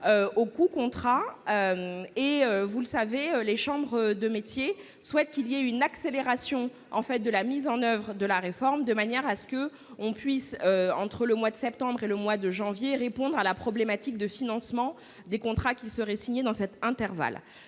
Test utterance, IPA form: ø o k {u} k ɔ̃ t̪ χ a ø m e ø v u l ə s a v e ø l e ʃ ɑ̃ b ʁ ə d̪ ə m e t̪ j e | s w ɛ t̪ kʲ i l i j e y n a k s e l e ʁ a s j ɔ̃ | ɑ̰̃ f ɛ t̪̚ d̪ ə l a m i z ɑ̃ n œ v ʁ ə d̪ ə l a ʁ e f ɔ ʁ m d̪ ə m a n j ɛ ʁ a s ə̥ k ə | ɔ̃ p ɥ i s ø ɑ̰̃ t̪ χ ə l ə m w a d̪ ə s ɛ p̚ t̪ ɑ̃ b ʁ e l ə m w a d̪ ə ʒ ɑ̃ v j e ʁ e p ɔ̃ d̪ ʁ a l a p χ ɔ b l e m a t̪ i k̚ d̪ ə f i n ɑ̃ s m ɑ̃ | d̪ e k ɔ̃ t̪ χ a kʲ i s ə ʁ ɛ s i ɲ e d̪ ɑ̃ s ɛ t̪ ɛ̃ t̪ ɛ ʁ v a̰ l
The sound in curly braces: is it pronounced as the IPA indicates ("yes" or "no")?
yes